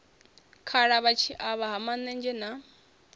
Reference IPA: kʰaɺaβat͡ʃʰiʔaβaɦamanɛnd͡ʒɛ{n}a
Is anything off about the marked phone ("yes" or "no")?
no